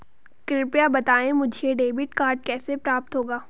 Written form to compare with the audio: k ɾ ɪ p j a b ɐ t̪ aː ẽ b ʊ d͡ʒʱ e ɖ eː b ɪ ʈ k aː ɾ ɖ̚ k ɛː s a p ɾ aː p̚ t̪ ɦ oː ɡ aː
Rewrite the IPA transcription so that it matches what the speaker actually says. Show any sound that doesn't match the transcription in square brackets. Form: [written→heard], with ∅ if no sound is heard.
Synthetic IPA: k ɾ ɪ p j a b ɐ t̪ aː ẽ [b→m] ʊ d͡ʒʱ e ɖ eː b ɪ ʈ k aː ɾ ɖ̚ k ɛː s [a→e] p ɾ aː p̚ t̪ ɦ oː ɡ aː

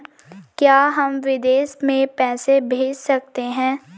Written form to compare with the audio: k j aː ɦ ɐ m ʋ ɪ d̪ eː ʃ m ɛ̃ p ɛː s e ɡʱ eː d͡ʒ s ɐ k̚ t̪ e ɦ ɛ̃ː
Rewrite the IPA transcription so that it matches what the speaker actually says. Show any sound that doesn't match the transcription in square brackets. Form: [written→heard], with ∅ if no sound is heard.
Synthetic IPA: k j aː ɦ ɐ m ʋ ɪ d̪ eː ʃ m [ɛ̃→ẽ] p ɛː s e [ɡʱ→bʱ] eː d͡ʒ s ɐ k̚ t̪ e ɦ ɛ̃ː

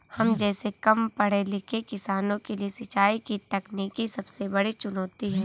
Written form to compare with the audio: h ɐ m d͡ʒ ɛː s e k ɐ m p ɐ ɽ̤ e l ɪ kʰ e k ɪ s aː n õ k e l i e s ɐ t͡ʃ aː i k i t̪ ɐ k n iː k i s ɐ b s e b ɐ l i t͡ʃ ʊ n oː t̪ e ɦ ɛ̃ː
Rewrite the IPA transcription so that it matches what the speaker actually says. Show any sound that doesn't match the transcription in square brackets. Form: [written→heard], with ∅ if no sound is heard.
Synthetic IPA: h ɐ m d͡ʒ ɛː s e k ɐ m p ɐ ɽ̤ e l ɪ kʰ e k ɪ s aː n õ k e l i e s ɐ t͡ʃ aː i k i t̪ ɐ k n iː k i s ɐ b s e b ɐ [l→ɽ] i t͡ʃ ʊ n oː t̪ [e→i] ɦ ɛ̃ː

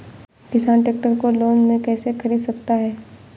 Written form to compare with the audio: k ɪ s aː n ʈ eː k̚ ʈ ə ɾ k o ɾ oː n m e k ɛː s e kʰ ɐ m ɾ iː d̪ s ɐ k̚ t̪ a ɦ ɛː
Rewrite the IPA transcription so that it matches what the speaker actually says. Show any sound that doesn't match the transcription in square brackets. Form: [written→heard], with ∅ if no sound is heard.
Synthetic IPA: k ɪ s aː n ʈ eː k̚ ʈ ə ɾ k o [ɾ→l] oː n m [e→ẽ] k ɛː s e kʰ ɐ [m→∅] ɾ iː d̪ s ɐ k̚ t̪ a ɦ ɛː

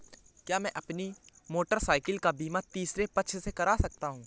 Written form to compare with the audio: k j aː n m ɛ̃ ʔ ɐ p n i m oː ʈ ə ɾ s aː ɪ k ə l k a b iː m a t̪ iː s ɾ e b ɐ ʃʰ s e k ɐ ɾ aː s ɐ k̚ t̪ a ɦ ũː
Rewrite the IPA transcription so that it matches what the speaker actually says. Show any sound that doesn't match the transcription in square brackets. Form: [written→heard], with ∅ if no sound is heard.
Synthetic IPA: k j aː [n→∅] m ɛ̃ ʔ ɐ p n i m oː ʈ ə ɾ s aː ɪ k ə l k a b iː m a t̪ iː s ɾ e [b→p] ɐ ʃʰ s e k ɐ ɾ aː s ɐ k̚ t̪ a ɦ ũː

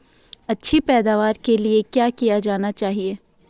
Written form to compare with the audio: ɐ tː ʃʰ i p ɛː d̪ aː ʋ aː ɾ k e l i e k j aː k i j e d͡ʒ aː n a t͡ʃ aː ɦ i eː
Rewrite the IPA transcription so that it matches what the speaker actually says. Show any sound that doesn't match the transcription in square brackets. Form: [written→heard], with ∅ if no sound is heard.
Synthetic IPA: ɐ tː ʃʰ i p ɛː d̪ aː ʋ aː ɾ k e l i e k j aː k i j [e→a] d͡ʒ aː n a t͡ʃ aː ɦ i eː

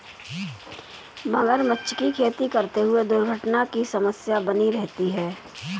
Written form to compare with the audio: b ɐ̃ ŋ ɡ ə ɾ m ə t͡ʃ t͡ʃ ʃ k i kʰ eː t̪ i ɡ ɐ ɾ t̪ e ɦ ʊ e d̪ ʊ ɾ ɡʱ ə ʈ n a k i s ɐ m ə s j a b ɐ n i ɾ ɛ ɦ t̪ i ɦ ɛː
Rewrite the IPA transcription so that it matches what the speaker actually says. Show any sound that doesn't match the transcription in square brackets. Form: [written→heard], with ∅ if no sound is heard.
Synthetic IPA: b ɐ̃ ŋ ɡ ə ɾ m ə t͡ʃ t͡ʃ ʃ k i kʰ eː t̪ i [ɡ→k] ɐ ɾ t̪ e ɦ ʊ e d̪ ʊ ɾ ɡʱ ə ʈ n a k i s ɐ m ə s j a b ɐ n i ɾ ɛ ɦ t̪ i ɦ ɛː

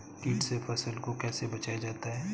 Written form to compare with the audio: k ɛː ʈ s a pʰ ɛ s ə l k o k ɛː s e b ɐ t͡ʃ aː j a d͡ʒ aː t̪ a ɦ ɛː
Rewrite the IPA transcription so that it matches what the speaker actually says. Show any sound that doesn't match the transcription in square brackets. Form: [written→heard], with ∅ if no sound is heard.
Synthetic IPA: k [ɛː→iː] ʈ s [a→e] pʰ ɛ s ə l k o k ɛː s e b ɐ t͡ʃ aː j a d͡ʒ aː t̪ a ɦ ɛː

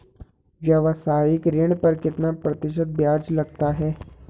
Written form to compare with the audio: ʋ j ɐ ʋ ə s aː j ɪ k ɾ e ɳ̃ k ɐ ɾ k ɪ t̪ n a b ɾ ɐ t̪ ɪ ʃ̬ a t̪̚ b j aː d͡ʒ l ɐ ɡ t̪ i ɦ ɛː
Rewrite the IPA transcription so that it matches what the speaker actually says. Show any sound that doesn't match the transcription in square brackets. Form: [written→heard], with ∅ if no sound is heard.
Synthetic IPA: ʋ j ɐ ʋ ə s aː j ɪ k ɾ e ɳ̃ [k→p] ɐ ɾ k ɪ t̪ n a [b→p] ɾ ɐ t̪ ɪ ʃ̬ [a→ə] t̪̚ b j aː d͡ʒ l ɐ ɡ t̪ [i→a] ɦ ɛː

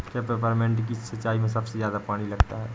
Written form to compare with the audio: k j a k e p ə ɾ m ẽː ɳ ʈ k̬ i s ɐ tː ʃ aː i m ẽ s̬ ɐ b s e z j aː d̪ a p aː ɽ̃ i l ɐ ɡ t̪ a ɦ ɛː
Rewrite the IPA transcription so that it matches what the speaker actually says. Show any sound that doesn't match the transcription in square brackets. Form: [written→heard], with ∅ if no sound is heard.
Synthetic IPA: k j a [k→p] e p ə ɾ m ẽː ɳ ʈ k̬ i s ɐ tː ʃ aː i m ẽ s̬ ɐ b s e z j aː d̪ a p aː ɽ̃ i l ɐ ɡ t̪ a ɦ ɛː

